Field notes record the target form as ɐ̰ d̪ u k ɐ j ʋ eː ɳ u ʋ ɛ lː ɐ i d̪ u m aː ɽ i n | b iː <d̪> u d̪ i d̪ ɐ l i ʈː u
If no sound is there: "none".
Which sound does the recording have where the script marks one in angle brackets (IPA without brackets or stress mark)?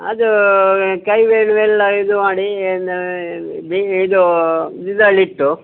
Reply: d̪